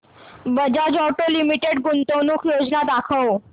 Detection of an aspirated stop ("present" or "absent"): present